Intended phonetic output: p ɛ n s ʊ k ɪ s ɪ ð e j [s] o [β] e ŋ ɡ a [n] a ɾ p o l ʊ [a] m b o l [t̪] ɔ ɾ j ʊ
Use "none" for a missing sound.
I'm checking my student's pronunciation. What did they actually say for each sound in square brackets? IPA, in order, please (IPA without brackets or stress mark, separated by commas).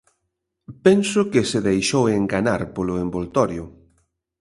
ʃ, w, n, e, t̪